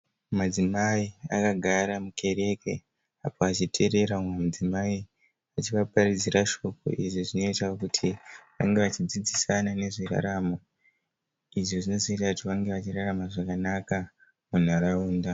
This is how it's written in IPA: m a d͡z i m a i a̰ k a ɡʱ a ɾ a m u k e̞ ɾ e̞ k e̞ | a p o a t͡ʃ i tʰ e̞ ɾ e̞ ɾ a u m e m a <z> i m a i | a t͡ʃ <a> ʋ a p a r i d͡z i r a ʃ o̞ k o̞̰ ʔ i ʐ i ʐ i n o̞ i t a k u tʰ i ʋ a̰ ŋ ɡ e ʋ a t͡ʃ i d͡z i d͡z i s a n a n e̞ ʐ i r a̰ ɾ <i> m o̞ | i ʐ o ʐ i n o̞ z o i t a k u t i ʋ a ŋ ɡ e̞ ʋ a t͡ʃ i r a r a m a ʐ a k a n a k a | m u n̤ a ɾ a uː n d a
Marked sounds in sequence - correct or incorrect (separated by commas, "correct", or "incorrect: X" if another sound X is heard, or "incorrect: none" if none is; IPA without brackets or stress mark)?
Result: incorrect: d͡z, incorrect: i, incorrect: a